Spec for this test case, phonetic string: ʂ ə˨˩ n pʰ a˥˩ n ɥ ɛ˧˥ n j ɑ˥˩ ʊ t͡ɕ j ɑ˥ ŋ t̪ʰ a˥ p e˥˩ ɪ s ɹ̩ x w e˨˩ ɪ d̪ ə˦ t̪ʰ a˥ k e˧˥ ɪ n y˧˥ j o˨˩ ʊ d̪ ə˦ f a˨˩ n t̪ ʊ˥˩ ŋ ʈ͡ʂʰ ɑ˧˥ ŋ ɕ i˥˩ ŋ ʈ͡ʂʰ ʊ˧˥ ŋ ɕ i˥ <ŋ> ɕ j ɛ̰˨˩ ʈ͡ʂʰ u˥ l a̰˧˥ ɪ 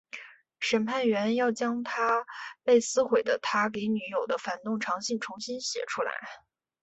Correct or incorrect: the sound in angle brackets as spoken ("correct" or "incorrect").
incorrect